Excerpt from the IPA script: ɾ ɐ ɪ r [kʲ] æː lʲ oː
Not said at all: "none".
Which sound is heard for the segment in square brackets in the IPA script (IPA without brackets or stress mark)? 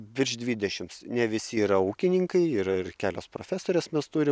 kʲ